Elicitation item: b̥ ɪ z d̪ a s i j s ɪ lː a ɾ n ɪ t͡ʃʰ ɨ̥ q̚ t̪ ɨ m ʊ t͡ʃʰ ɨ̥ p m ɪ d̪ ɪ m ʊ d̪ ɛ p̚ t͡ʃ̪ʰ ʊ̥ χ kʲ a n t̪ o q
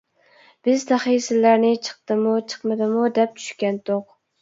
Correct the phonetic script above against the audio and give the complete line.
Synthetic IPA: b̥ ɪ z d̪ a χ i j s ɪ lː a ɾ n ɪ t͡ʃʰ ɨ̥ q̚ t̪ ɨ m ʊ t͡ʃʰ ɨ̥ q m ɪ d̪ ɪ m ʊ d̪ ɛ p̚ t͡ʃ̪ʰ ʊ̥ ʃ kʲ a n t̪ o q